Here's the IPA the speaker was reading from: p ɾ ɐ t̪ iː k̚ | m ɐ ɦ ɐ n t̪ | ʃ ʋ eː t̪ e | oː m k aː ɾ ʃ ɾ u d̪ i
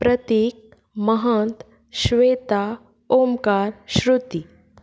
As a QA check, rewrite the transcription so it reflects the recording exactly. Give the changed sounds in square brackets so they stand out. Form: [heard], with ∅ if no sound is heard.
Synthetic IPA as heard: p ɾ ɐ t̪ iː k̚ | m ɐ ɦ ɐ n t̪ | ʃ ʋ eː t̪ [a] | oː m k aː ɾ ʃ ɾ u [t̪] i